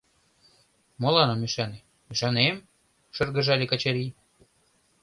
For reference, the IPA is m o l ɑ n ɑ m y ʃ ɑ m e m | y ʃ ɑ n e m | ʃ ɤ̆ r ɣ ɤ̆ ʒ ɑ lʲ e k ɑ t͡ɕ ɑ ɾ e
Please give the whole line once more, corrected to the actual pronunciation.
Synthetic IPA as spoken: m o l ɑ n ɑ m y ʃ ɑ n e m | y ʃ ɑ n e m | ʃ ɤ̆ r ɣ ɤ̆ ʒ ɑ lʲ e k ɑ t͡ɕ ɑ ɾ i